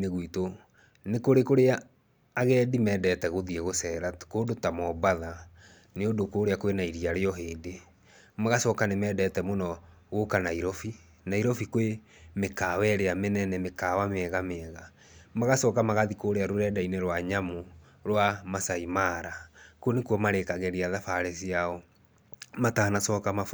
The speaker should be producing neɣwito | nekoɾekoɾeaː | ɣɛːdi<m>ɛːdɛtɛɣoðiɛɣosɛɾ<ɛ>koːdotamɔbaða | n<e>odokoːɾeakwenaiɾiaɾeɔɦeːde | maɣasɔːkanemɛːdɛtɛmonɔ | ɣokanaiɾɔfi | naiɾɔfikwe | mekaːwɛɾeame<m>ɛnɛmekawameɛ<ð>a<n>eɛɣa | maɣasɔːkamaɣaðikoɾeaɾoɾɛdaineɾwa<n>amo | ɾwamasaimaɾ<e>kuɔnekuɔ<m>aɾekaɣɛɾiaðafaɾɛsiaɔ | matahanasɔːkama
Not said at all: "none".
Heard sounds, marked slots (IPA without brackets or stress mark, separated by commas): m, a, e, n, ɣ, m, ɲ, a, m